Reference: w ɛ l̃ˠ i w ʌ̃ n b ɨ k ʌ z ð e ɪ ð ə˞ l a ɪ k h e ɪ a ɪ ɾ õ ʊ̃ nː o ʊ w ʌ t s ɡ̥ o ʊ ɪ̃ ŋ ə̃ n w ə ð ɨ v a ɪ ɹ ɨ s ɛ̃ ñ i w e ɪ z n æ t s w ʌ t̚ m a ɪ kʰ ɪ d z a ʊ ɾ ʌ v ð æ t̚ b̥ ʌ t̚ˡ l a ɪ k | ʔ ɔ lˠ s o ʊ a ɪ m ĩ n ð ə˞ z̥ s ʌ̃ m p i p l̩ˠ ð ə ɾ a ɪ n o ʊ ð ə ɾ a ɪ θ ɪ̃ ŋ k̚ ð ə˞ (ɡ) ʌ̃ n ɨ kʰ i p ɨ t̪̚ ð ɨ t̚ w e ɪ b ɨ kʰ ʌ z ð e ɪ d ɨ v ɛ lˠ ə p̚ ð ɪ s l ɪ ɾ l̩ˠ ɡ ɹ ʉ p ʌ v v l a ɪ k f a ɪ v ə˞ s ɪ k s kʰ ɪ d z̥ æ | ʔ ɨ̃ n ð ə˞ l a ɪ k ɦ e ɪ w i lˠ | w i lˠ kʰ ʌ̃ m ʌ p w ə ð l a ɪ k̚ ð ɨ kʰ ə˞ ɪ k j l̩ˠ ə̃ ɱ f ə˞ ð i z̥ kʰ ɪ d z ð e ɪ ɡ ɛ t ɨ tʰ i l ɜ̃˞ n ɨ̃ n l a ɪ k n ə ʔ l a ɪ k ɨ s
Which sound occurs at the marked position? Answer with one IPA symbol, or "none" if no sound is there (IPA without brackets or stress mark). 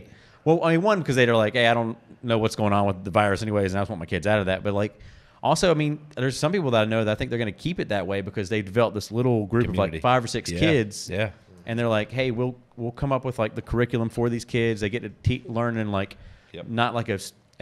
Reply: ɡ